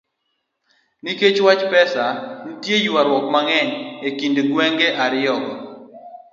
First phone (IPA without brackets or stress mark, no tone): n